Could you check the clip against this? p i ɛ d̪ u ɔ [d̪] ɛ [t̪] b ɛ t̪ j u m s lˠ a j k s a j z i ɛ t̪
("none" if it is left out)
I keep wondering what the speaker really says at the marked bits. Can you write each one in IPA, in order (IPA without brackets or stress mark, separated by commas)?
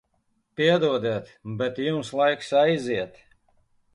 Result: d̪, t̪